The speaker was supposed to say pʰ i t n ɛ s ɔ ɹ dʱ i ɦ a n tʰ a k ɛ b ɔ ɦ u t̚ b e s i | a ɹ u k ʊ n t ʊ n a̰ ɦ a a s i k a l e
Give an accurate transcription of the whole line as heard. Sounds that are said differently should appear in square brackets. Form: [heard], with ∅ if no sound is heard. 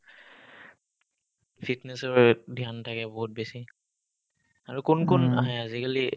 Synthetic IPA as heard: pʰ i t n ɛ s ɔ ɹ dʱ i [∅] a n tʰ a k ɛ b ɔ ɦ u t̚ b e s i | a ɹ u k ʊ n [k] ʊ n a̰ ɦ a a [z] i k a l [i]